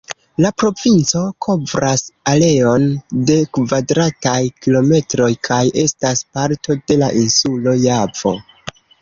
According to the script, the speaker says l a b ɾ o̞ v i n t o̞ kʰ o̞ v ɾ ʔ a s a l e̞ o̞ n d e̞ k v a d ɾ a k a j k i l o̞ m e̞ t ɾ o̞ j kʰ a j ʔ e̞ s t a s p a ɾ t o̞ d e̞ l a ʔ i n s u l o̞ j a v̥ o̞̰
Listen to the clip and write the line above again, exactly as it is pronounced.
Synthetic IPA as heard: l a p ɾ o̞ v i n t͡s o̞ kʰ o̞ v ɾ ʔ a s a l e̞ o̞ n d e̞ k v a d ɾ a t a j k i l o̞ m e̞ t ɾ o̞ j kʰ a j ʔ e̞ s t a s p a ɾ t o̞ d e̞ l a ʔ i n s u l o̞ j a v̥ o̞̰